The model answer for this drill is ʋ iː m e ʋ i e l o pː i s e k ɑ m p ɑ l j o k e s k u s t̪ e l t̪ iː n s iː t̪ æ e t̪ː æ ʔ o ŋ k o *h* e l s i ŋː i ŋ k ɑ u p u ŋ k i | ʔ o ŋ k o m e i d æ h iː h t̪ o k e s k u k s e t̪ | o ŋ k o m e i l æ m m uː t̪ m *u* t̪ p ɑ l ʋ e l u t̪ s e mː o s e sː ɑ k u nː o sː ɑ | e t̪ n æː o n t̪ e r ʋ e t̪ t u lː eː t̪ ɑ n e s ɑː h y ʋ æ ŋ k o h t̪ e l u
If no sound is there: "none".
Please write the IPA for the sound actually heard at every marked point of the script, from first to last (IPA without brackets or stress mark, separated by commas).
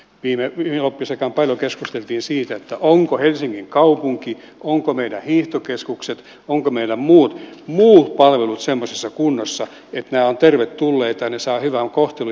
h, uː